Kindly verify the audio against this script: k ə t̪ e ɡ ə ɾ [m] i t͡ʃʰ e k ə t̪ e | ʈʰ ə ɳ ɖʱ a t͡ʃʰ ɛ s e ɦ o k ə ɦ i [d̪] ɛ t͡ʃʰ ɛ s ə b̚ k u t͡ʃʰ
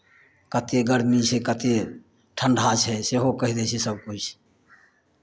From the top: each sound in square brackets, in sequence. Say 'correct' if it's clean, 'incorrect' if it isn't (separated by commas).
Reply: correct, correct